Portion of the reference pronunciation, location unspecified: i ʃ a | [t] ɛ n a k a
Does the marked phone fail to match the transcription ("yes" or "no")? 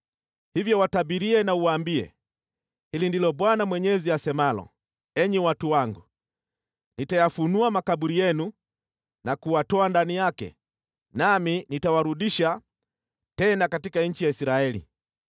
no